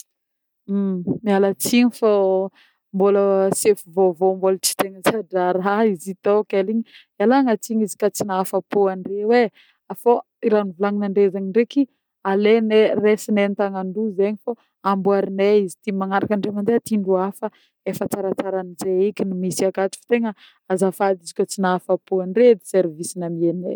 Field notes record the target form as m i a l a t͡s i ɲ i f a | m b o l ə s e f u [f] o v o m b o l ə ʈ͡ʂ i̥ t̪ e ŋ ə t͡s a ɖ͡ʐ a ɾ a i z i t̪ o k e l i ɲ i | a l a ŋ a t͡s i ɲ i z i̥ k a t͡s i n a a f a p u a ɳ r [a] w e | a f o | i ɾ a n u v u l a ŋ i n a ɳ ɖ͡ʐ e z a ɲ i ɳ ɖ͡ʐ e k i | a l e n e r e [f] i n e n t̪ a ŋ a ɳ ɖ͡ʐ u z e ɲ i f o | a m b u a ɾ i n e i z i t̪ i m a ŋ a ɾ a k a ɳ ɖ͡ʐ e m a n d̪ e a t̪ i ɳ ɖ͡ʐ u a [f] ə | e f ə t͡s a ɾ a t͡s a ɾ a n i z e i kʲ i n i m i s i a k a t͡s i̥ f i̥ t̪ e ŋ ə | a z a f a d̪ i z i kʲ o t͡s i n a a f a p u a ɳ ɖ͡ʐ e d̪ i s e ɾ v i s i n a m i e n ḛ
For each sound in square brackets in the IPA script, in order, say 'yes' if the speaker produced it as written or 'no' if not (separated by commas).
no, no, no, yes